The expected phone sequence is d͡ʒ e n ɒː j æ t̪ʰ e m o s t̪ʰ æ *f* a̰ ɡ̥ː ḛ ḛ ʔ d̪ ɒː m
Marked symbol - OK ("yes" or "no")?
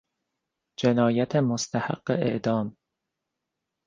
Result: no